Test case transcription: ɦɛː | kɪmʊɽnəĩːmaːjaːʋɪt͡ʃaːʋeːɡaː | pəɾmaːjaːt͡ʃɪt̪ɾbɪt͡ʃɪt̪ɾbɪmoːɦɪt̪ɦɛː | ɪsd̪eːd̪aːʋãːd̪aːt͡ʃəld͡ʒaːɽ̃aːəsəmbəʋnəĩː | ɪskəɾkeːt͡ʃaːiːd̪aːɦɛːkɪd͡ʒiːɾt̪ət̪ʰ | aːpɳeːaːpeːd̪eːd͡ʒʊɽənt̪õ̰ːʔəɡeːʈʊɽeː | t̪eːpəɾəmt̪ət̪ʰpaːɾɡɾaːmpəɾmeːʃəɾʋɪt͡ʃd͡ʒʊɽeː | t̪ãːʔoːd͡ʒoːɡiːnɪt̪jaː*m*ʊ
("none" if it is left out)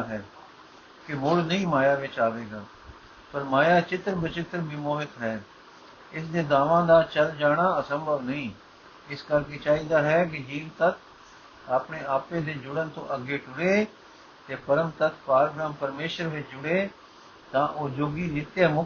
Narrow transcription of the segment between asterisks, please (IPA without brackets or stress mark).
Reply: m